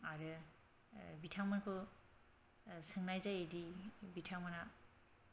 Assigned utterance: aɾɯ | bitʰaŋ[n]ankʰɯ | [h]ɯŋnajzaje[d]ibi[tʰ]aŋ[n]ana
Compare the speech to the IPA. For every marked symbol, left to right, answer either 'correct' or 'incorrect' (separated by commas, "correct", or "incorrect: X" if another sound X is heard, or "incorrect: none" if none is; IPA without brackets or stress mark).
incorrect: m, incorrect: s, correct, correct, incorrect: m